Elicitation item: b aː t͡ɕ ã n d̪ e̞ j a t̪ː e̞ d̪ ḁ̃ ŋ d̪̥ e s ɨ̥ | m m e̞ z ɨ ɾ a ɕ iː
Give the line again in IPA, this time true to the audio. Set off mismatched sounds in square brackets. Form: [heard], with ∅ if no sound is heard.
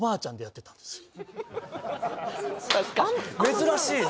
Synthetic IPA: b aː t͡ɕ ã n d̪ e̞ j a t̪ː e̞ [t̪] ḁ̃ [n] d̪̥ e s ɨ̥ | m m e̞ z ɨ ɾ a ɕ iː

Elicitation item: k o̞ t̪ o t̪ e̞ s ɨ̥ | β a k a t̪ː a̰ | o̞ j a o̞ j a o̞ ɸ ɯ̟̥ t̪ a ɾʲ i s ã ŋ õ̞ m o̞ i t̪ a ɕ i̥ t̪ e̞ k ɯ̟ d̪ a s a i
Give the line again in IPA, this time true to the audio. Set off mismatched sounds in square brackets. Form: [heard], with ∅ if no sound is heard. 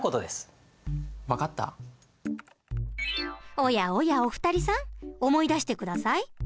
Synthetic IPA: k o̞ t̪ o [d̪] e̞ s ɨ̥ | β a k a t̪ː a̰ | o̞ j a o̞ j a o̞ ɸ ɯ̟̥ t̪ a ɾʲ i s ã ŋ [o̞] m o̞ i [d̪] a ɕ i̥ t̪ e̞ k ɯ̟ d̪ a s a i

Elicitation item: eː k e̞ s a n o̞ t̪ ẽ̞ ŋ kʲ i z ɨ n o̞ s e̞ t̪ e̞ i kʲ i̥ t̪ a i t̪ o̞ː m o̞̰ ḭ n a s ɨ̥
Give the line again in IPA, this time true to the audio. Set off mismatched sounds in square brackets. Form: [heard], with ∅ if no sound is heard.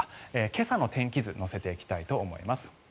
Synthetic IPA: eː k e̞ s a n o̞ t̪ ẽ̞ ŋ kʲ i z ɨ n o̞ s e̞ t̪ e̞ i kʲ i̥ t̪ a i t̪ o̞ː m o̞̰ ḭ [m] a s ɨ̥

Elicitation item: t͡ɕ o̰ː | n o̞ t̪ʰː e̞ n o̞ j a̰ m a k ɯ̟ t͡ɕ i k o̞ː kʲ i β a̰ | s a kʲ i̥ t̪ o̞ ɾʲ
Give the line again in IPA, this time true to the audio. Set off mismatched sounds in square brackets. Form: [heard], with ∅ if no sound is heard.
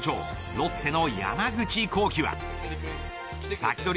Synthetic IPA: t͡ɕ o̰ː | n o̞ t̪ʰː e̞ n o̞ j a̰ m a [ɡ] ɯ̟ t͡ɕ i k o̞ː kʲ i β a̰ | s a kʲ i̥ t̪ o̞ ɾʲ

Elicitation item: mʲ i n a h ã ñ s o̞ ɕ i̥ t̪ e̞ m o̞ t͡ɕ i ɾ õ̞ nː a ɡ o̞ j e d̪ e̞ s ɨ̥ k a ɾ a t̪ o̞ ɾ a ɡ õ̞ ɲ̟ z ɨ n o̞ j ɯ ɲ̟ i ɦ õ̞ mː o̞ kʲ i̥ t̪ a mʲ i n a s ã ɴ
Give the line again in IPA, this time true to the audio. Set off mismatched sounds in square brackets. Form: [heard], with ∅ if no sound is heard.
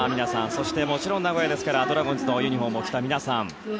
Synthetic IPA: mʲ i n a [s] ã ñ s o̞ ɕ i̥ t̪ e̞ m o̞ t͡ɕ i ɾ õ̞ nː a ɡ o̞ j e d̪ e̞ s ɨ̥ k a ɾ a [d̪] o̞ ɾ a ɡ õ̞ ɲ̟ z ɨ n o̞ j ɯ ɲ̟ i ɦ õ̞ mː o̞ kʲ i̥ t̪ a mʲ i n a s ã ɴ

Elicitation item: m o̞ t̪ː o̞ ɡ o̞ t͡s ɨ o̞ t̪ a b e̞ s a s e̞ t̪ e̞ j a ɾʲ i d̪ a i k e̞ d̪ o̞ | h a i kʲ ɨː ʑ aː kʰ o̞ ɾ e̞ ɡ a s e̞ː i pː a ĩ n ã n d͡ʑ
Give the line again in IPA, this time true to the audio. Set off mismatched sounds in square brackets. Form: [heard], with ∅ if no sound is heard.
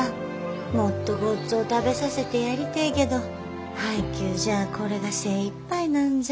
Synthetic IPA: m o̞ t̪ː o̞ ɡ o̞ t͡s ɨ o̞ t̪ a b e̞ s a s e̞ t̪ e̞ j a ɾʲ i [t̪] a i k e̞ d̪ o̞ | h a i kʲ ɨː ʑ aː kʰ o̞ ɾ e̞ ɡ a s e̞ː i pː a [i] n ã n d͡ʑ

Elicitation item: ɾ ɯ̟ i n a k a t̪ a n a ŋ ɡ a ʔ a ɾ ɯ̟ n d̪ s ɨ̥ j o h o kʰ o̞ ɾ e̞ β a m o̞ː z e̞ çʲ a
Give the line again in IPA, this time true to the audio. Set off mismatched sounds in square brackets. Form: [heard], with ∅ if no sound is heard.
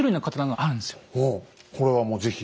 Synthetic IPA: ɾ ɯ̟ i n a k a t̪ a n a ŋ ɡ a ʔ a ɾ ɯ̟ n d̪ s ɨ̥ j o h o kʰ o̞ ɾ e̞ β a m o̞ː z e̞ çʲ [i]

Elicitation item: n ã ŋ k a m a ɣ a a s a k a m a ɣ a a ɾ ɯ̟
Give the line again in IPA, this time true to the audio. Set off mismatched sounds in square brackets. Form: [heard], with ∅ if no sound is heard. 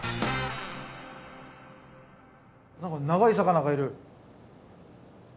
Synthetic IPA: n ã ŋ k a [n] a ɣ a [i] s a k a [n] a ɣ a [i] ɾ ɯ̟

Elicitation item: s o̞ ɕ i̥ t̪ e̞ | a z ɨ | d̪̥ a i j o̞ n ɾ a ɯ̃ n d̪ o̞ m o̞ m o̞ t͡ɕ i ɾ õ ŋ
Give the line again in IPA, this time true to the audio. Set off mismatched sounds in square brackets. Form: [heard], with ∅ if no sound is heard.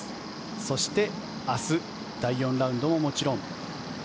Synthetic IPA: s o̞ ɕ i̥ t̪ e̞ | a [s] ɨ | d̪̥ a i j [õ̞] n ɾ a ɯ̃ n d̪ o̞ m o̞ m o̞ t͡ɕ i ɾ õ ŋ

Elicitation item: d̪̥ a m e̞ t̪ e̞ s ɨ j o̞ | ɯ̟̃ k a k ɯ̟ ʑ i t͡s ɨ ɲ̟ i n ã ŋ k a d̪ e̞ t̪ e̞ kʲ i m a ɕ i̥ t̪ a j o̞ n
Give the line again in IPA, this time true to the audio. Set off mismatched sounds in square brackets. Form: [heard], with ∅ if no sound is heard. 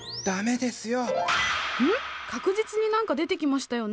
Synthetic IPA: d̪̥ a m e̞ [d̪] e̞ s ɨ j o̞ | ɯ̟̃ k a k ɯ̟ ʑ i t͡s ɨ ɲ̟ i n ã ŋ k a d̪ e̞ t̪ e̞ kʲ i m a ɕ i̥ t̪ a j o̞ n

